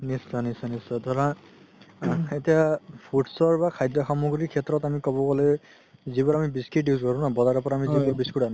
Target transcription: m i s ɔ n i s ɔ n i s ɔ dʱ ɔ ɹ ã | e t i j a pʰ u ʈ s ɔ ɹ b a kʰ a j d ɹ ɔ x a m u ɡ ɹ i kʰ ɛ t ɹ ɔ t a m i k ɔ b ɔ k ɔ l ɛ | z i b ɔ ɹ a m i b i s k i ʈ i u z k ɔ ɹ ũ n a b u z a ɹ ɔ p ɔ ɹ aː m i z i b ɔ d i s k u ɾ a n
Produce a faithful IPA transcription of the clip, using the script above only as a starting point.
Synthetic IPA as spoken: n i s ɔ n i s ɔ n i s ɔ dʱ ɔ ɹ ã | e t i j a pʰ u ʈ s ɔ ɹ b a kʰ a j d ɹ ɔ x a m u ɡ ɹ i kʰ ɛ t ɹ ɔ t a m i k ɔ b ɔ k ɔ l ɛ | z i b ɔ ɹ a m i b i s k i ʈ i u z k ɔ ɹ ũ n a b ɔ z a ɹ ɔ p ɔ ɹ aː m i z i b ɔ b i s k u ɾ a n